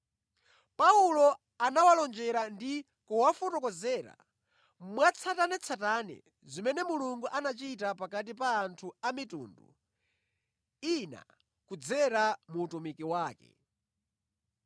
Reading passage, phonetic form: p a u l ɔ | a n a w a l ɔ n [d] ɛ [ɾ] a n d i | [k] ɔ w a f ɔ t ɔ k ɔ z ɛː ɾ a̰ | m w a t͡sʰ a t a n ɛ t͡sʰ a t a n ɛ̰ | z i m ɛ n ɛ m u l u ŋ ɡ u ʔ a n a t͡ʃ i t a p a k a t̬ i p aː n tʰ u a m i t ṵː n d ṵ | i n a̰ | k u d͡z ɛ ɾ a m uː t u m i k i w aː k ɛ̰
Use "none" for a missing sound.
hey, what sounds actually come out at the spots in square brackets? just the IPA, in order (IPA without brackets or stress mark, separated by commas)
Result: d͡ʒ, ɾ, k